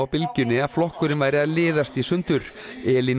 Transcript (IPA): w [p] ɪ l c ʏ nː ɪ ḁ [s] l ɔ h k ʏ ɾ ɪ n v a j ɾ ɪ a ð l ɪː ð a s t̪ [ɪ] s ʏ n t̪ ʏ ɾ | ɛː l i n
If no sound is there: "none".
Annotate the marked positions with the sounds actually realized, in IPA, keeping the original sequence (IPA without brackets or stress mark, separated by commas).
p, f, i